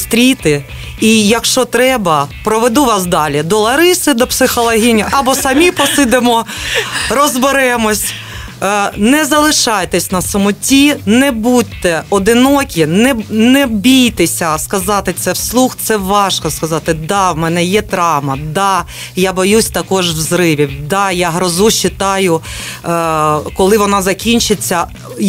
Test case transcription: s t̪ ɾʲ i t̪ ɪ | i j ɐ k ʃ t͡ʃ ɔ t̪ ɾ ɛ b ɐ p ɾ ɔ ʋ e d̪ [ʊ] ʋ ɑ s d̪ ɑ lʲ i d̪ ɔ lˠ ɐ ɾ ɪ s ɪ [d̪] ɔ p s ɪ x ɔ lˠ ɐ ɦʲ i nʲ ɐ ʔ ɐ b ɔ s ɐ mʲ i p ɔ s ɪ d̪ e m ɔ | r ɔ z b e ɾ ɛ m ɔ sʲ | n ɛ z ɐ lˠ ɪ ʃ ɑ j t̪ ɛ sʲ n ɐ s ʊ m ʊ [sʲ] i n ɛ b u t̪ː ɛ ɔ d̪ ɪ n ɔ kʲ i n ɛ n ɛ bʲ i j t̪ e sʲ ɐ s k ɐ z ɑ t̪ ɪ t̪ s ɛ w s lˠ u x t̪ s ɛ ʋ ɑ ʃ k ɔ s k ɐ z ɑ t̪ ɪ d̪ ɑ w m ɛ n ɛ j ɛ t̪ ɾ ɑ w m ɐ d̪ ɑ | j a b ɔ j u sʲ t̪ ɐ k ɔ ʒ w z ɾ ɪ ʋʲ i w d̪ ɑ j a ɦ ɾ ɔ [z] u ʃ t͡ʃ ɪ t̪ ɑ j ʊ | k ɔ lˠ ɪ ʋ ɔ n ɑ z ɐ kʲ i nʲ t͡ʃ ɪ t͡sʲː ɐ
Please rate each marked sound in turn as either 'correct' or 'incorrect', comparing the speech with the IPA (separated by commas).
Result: incorrect, correct, incorrect, correct